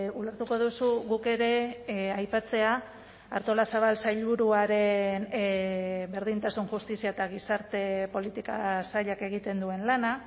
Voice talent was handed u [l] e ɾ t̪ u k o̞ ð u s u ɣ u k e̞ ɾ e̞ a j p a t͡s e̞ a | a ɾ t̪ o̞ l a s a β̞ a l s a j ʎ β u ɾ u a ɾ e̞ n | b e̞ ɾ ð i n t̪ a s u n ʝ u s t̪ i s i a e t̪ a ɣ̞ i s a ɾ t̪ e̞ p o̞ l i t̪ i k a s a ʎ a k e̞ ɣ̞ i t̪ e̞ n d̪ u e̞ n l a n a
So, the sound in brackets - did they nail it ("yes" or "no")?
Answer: yes